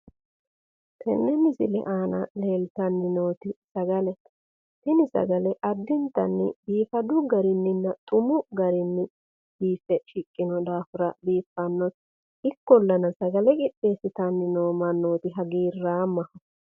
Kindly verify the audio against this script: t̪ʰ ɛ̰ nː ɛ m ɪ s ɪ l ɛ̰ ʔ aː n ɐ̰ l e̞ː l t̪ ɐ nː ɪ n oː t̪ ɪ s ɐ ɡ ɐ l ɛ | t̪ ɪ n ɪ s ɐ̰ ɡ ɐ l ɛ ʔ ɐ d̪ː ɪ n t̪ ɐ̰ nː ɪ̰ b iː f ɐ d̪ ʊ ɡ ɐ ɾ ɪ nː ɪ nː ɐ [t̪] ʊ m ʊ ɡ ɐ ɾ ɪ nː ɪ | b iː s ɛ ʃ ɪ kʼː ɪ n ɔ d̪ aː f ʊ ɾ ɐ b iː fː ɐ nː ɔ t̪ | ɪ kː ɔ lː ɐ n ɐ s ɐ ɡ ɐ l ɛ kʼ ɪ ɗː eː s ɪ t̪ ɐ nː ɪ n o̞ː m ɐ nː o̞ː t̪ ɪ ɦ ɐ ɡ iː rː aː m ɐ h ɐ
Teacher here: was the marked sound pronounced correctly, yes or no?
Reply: no